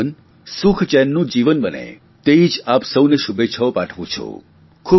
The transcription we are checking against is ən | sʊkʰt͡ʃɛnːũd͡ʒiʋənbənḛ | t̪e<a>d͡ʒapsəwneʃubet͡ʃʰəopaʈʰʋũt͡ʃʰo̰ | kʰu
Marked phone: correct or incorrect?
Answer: incorrect